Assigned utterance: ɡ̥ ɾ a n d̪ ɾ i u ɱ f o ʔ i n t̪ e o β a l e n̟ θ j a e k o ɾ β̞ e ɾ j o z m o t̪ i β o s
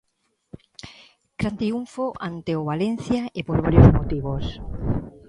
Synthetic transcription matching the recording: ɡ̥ ɾ a n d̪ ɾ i u ɱ f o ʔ a n t̪ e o β a l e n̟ θ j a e p o ɾ β̞ a ɾ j o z m o t̪ i β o s